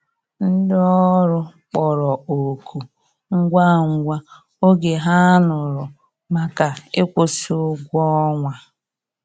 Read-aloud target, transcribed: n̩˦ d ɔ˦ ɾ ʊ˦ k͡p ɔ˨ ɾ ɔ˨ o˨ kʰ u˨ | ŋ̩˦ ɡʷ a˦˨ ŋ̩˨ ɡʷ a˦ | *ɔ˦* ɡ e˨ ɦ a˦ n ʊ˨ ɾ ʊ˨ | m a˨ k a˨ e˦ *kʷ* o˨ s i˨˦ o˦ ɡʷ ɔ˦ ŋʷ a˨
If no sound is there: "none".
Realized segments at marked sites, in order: o˦, kʷ

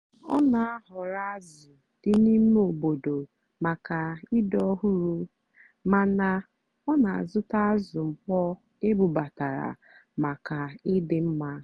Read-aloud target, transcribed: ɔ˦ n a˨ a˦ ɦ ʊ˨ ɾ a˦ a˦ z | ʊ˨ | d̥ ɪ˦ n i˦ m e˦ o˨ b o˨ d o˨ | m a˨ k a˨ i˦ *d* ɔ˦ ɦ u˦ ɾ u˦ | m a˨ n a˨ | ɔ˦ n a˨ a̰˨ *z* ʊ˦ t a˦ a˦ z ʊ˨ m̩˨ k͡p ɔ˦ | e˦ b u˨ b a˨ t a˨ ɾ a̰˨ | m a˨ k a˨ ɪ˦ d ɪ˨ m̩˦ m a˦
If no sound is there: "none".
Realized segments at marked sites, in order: d, z

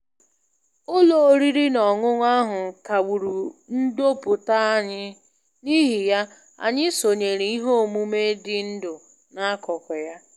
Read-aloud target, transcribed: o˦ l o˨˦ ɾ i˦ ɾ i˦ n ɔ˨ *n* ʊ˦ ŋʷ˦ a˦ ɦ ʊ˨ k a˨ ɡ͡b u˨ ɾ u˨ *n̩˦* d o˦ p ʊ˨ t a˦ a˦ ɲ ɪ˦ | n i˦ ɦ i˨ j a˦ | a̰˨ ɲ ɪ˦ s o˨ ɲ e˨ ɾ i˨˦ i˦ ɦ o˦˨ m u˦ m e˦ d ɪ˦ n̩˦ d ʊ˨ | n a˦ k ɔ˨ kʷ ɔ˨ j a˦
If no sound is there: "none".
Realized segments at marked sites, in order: ŋ, n̩˦

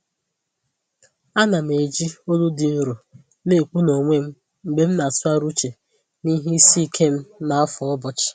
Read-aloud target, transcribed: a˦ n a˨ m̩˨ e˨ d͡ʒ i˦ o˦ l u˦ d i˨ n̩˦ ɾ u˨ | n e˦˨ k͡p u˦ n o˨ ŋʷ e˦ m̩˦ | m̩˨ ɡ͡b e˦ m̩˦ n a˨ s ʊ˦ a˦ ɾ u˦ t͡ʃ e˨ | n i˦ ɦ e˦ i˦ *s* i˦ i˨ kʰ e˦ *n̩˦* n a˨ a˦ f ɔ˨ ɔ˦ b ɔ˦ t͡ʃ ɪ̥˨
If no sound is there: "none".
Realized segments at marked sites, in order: s, m̩˦

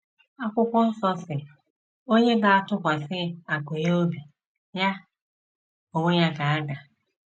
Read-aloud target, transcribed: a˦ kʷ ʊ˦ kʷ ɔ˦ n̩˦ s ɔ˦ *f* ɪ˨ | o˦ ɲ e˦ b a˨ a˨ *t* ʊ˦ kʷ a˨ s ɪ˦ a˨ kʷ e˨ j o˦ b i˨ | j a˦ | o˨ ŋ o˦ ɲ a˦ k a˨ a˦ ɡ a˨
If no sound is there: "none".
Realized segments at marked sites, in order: s, t

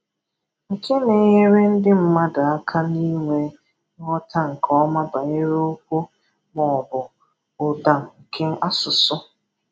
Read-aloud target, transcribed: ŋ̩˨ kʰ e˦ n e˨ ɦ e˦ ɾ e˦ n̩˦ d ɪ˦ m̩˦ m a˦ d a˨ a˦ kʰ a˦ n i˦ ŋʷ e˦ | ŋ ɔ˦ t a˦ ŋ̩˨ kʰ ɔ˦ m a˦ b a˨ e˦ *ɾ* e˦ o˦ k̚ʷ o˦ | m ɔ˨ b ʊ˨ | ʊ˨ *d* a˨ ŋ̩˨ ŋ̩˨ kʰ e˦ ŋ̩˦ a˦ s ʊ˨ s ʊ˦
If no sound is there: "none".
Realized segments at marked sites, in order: ɾ, d

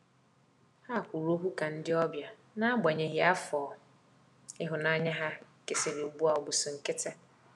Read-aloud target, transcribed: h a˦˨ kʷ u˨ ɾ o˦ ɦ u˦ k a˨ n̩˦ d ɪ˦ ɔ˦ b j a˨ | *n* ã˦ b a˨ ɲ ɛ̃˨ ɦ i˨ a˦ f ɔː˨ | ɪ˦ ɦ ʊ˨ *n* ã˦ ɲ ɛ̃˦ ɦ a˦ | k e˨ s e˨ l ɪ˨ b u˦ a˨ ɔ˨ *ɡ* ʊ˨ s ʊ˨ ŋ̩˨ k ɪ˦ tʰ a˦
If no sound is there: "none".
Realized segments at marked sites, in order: n, n, b

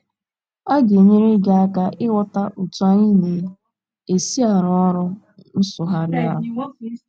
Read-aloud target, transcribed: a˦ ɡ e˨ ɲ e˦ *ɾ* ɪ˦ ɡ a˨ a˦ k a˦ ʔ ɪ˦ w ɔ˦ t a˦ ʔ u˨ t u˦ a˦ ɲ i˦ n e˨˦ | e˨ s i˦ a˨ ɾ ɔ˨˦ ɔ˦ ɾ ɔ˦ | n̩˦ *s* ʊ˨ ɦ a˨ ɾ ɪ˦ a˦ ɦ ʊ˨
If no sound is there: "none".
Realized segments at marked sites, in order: ɾ, s

